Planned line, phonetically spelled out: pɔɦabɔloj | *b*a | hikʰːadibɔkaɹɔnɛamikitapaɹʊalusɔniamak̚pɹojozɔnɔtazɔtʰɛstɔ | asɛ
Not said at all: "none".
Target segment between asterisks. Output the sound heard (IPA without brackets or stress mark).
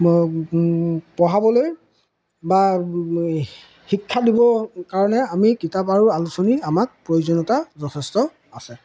b